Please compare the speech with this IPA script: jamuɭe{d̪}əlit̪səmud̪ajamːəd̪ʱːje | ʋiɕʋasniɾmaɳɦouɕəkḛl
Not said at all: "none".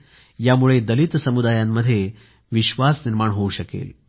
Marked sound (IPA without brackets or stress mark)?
d̪